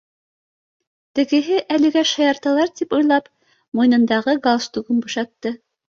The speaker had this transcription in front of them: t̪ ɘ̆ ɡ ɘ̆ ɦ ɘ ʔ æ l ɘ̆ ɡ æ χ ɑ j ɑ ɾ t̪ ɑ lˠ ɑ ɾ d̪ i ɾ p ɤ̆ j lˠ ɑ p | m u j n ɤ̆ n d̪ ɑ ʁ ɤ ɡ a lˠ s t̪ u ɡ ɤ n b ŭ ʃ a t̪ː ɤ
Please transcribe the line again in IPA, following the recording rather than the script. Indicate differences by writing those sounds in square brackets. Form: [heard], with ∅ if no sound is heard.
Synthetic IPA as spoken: t̪ ɘ̆ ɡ ɘ̆ ɦ ɘ ʔ æ l ɘ̆ ɡ æ [ʃ] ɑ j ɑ ɾ t̪ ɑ lˠ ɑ ɾ [t̪] i [∅] p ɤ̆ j lˠ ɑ p | m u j n ɤ̆ n d̪ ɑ ʁ ɤ ɡ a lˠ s t̪ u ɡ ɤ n b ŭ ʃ [ɑ] t̪ː ɤ